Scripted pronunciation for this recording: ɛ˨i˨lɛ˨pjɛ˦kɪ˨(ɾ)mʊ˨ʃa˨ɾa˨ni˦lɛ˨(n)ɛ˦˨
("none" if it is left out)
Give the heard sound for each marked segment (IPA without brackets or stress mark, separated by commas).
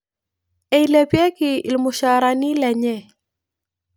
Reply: l, ɲ